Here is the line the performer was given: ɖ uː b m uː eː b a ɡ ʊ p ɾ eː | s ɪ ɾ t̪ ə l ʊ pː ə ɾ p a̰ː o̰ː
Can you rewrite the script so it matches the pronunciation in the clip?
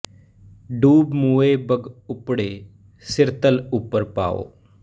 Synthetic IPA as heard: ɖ uː b m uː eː b ə ɡ ʊ p ɽ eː | s ɪ ɾ t̪ ə l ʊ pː ə ɾ p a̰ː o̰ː